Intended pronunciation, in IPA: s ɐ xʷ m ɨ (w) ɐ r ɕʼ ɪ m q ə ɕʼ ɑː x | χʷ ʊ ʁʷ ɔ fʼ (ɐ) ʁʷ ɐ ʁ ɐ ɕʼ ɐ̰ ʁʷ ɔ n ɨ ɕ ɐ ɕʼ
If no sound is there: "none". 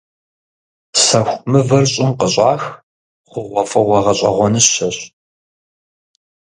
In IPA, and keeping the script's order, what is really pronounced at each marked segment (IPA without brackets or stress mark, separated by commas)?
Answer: v, ɐ